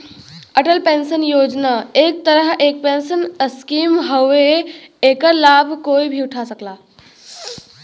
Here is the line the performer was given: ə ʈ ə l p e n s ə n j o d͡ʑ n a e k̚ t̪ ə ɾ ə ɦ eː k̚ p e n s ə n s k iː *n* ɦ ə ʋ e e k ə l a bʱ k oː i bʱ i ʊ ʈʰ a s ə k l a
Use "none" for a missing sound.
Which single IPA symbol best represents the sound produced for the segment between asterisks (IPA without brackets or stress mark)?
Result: m